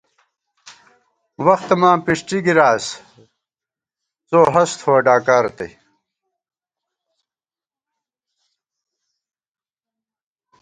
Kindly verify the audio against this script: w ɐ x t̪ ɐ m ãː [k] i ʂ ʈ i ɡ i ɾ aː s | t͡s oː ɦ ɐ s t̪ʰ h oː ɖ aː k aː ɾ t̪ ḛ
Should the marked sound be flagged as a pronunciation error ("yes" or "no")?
yes